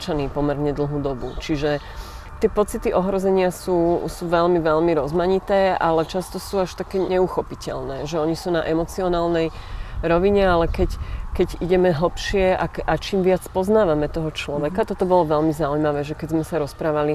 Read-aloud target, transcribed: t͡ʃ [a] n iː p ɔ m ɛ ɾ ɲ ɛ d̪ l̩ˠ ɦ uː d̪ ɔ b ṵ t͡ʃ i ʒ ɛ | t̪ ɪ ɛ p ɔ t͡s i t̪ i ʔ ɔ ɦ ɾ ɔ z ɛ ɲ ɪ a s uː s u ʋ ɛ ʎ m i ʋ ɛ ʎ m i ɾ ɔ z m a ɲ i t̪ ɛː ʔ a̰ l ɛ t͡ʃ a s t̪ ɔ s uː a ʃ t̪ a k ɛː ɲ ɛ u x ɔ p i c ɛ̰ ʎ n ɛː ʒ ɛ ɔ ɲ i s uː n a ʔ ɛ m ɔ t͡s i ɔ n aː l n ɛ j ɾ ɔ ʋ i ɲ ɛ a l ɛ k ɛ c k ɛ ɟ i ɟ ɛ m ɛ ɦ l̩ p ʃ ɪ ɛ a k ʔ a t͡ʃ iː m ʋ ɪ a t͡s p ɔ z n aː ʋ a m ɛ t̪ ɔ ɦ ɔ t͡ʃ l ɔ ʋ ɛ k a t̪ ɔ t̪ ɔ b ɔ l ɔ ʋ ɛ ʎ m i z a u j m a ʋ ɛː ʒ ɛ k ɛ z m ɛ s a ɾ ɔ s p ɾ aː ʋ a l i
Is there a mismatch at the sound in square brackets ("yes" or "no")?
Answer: no